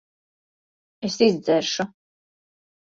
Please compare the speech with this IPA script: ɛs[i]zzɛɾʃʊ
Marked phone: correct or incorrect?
correct